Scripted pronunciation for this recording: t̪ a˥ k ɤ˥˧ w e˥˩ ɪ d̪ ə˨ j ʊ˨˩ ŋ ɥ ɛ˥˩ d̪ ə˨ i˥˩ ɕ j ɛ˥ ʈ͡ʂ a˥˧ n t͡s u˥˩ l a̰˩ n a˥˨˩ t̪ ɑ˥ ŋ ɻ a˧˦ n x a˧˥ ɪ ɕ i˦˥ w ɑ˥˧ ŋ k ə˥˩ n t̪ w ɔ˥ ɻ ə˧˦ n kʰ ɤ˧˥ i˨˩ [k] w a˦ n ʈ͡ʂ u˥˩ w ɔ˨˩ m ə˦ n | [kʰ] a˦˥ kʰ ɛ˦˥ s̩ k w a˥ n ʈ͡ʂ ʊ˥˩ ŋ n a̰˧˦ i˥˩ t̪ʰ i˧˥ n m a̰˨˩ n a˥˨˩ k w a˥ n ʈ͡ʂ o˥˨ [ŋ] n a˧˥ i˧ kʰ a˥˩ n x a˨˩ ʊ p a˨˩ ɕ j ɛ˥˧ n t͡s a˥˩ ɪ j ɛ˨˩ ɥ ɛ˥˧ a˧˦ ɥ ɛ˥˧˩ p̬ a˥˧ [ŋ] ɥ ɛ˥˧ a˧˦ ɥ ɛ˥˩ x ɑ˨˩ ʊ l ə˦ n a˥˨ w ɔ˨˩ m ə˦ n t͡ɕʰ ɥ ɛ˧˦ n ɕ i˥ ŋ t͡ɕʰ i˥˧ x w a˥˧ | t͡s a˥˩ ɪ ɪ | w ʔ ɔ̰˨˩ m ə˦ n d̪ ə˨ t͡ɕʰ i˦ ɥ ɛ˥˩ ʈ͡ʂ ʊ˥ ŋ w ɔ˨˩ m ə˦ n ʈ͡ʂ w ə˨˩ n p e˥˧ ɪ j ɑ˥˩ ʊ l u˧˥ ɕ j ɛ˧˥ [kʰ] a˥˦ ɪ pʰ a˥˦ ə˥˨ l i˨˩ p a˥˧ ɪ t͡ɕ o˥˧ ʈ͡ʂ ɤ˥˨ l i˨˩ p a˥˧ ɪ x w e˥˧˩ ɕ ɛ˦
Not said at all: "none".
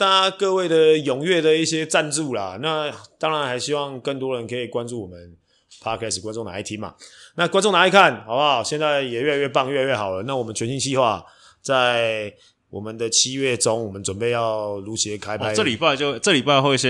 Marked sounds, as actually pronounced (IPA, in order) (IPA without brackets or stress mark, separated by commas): k, pʰ, ŋ, ŋ, kʰ